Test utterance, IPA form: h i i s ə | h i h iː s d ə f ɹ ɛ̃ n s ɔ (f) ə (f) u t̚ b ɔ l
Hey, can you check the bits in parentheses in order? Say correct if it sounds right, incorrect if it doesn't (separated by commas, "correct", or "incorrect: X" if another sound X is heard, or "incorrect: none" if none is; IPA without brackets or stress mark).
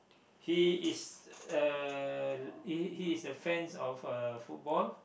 correct, correct